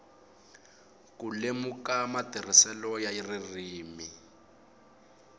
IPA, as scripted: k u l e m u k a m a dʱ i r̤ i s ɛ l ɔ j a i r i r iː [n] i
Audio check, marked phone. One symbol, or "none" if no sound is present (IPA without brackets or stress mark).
m